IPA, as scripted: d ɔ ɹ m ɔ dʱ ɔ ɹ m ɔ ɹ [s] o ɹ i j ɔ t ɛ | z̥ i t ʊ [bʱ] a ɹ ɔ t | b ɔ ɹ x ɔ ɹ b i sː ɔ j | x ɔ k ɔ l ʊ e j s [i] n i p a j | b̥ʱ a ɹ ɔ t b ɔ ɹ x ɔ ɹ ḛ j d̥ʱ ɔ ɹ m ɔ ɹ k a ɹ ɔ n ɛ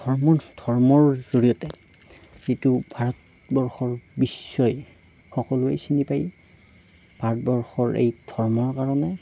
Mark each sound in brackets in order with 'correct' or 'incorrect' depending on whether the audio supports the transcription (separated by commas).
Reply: incorrect, correct, correct